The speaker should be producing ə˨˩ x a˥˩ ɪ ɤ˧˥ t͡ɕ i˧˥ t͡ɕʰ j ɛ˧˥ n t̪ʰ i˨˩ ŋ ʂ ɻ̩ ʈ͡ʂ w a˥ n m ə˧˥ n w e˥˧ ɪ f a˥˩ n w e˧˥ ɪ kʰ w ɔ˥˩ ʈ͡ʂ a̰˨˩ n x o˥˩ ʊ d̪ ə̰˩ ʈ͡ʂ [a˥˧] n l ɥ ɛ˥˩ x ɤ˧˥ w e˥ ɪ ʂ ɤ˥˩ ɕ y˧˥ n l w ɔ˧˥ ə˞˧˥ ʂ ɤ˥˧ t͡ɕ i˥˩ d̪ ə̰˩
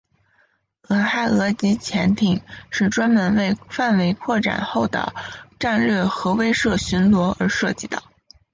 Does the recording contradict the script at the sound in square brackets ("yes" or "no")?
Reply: no